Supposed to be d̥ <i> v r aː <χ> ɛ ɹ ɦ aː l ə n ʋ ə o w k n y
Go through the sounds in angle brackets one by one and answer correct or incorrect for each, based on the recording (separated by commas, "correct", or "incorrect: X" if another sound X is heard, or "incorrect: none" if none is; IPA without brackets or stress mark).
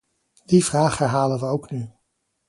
correct, correct